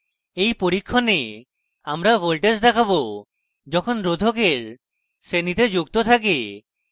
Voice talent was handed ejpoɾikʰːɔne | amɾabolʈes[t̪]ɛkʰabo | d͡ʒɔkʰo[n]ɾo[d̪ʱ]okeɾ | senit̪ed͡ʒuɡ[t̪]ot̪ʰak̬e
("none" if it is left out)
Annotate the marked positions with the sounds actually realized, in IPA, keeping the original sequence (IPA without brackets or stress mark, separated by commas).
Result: d̪, n, d̪ʱ, t̪